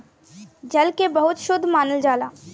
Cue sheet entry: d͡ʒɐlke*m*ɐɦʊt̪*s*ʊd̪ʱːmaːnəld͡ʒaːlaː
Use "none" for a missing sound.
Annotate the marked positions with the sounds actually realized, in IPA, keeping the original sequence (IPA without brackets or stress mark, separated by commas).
b, ʃ